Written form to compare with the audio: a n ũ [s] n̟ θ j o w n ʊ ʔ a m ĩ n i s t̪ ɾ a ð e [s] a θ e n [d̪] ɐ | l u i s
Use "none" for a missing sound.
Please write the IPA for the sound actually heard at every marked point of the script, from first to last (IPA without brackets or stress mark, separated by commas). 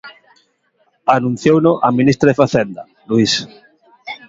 none, f, d̪